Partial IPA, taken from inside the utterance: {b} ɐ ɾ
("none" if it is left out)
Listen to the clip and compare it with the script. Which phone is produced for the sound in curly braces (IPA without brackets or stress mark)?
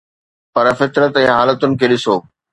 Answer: p